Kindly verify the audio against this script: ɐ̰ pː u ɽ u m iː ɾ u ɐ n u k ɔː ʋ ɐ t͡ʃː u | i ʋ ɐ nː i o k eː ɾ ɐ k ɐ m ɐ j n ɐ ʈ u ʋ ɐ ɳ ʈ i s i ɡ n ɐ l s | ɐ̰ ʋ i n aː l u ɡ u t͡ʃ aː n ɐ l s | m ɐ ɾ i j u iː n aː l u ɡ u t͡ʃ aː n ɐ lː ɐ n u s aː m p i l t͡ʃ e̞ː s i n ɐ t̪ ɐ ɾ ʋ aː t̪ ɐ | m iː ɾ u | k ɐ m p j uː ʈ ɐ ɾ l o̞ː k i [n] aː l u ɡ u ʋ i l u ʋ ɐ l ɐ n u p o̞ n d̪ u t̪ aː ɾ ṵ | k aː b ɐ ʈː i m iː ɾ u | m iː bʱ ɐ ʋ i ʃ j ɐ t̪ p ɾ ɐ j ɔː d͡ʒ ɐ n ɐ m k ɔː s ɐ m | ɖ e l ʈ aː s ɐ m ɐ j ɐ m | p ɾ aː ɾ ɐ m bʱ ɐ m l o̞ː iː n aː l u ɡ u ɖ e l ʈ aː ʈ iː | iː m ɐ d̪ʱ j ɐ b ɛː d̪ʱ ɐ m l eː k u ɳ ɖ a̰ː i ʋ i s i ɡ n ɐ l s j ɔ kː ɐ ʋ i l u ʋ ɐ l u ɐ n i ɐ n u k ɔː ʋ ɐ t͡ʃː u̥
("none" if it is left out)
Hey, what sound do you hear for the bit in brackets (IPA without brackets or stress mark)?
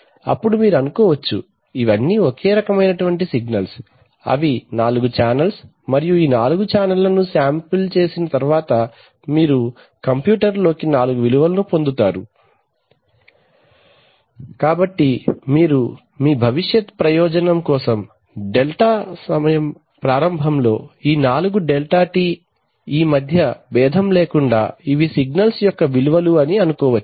n